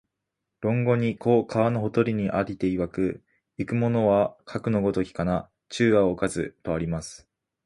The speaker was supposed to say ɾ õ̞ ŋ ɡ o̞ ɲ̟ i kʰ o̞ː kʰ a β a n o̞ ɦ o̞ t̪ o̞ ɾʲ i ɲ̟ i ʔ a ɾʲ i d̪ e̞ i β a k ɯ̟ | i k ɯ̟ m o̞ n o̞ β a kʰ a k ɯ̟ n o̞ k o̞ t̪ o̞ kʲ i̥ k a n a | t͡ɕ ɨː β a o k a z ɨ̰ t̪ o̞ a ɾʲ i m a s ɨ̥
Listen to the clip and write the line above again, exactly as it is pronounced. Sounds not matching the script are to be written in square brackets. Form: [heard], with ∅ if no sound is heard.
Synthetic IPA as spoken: ɾ õ̞ ŋ ɡ o̞ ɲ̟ i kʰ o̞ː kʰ a β a n o̞ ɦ o̞ t̪ o̞ ɾʲ i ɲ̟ i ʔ a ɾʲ i [t̪] e̞ i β a k ɯ̟ | i k ɯ̟ m o̞ n o̞ β a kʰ a k ɯ̟ n o̞ [ɡ] o̞ t̪ o̞ kʲ i̥ k a n a | t͡ɕ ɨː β a o k a z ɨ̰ t̪ o̞ a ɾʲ i m a s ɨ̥